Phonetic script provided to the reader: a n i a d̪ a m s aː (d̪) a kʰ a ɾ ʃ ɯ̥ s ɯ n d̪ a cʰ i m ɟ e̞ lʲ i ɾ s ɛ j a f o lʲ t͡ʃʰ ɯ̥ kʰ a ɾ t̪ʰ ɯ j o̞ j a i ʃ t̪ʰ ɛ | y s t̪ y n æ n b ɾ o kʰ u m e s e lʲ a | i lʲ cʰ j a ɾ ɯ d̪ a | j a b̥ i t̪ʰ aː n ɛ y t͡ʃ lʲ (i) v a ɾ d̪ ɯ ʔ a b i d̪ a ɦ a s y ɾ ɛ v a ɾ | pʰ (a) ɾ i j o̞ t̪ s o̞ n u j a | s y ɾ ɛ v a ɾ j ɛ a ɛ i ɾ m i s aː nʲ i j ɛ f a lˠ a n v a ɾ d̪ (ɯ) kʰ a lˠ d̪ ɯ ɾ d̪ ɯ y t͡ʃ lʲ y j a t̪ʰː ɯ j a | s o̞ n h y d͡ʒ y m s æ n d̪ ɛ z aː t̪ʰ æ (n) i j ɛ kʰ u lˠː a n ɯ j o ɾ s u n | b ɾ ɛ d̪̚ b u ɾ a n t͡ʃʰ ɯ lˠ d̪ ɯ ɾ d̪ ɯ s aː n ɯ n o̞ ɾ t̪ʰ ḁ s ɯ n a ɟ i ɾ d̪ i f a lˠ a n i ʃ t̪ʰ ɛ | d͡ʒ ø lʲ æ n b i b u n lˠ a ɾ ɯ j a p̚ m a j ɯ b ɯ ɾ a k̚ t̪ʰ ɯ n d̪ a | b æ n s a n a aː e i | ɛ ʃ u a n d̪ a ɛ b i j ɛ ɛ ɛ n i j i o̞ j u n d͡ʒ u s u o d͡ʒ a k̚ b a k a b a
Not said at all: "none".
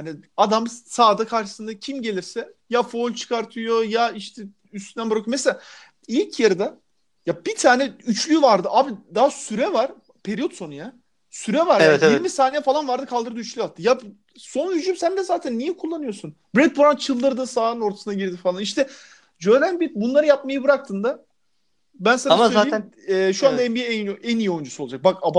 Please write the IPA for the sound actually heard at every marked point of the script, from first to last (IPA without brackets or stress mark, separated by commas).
d̪, y, e, ɯ, nː